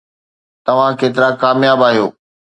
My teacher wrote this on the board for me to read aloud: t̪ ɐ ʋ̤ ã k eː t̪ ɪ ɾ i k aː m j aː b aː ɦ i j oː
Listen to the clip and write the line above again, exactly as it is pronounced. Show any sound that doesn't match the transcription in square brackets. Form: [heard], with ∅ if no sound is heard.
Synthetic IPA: t̪ ɐ ʋ̤ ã k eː t̪ ɪ ɾ [a] k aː m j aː b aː ɦ i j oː